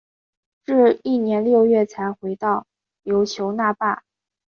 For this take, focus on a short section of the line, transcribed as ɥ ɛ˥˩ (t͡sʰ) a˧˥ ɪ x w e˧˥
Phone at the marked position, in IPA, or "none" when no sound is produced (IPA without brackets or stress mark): t͡sʰ